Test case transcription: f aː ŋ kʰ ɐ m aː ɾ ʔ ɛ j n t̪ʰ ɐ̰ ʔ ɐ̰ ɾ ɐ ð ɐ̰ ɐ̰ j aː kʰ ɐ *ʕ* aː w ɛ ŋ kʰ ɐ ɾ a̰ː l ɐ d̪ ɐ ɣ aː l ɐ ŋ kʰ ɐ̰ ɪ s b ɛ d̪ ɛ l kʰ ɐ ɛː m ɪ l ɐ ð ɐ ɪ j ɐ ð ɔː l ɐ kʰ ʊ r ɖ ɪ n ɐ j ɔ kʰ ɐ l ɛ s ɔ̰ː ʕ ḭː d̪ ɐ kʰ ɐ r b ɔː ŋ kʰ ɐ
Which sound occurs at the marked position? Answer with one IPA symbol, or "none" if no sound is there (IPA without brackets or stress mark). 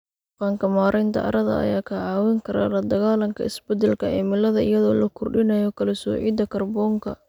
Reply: ʕ